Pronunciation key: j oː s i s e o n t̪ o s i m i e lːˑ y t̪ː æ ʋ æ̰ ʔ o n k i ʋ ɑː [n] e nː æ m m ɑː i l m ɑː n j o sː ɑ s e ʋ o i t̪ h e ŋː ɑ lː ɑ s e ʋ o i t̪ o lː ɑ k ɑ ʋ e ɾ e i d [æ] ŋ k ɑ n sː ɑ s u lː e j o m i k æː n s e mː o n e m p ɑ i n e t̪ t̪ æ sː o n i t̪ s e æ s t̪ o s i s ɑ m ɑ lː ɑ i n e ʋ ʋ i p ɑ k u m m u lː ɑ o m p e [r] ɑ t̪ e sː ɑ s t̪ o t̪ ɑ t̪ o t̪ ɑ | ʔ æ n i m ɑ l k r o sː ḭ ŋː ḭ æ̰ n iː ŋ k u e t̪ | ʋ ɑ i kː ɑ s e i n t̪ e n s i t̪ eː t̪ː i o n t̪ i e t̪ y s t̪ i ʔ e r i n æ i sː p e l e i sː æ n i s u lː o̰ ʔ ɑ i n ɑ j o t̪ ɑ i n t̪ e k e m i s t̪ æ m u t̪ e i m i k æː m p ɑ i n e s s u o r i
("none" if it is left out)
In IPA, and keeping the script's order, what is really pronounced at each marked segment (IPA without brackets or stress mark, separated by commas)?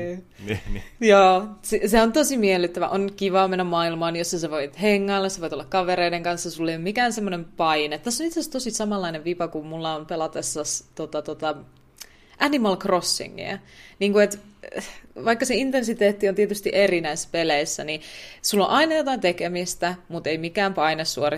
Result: m, e, l